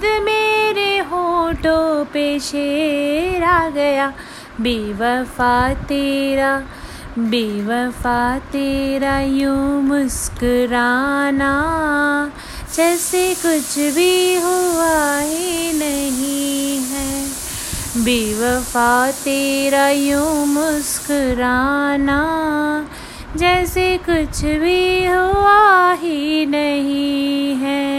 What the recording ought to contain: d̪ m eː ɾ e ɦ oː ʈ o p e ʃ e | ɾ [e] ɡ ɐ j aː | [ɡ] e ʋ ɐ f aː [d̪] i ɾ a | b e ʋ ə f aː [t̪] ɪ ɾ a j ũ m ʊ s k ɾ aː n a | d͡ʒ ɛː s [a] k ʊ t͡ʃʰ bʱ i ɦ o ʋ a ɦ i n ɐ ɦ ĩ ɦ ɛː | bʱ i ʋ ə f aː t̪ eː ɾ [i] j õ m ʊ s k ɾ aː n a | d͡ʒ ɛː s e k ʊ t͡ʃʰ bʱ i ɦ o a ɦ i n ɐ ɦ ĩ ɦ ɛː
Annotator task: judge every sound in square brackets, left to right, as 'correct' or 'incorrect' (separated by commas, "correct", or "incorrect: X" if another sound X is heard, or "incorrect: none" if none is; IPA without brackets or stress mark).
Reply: incorrect: a, incorrect: b, incorrect: t̪, correct, incorrect: e, incorrect: a